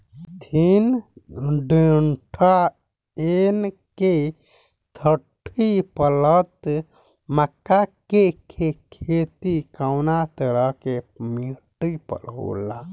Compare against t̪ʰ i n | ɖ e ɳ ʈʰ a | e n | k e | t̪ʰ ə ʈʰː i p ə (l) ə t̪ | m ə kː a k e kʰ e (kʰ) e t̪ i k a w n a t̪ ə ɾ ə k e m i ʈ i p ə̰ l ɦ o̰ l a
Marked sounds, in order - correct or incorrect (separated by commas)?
correct, correct